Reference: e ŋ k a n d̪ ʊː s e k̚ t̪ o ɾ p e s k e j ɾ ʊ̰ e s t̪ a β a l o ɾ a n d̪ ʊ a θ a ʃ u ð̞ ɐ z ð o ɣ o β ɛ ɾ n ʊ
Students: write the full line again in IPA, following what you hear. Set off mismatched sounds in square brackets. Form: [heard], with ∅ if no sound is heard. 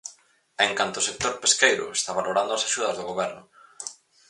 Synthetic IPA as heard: e ŋ k a n [t̪] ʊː s e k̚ t̪ o ɾ p e s k e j ɾ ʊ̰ e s t̪ a β a l o ɾ a n d̪ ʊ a [s] a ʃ u ð̞ ɐ z ð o ɣ o β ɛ ɾ n ʊ